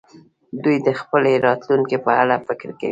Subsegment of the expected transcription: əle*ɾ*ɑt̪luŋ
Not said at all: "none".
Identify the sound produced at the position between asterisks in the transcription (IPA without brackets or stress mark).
ɾ